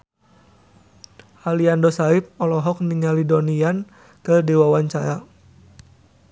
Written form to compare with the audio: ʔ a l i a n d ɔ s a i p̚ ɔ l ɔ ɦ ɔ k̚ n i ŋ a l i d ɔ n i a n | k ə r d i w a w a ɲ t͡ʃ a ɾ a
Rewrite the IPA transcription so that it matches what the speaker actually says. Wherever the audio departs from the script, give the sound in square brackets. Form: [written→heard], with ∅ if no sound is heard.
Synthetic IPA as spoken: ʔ a l i a n d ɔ s a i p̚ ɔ l ɔ ɦ ɔ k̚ n i ŋ a l i d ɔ n i a n | k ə r d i w a w a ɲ t͡ʃ a ɾ a